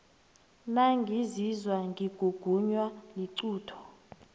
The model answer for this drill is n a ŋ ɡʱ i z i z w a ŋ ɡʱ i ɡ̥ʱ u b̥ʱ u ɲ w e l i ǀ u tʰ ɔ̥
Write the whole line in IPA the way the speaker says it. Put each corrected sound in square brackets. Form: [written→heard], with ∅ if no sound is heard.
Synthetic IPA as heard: n a ŋ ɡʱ i z i z w a ŋ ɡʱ i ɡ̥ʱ u [b̥ʱ→ɡ̥ʱ] u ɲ w [e→a] l i ǀ [u→uː] tʰ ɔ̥